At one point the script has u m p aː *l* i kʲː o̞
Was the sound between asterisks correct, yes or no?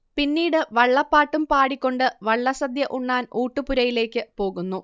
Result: no